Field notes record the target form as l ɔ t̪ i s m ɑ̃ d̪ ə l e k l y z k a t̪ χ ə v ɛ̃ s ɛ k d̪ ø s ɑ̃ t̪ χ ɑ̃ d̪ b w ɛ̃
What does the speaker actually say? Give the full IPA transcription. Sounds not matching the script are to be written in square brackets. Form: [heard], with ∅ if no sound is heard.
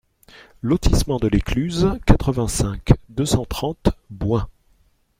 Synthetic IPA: l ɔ t̪ i s m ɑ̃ d̪ ə l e k l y z k a t̪ χ ə v ɛ̃ s [ɛ̃] k d̪ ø s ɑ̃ t̪ χ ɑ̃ [t̪] b w ɛ̃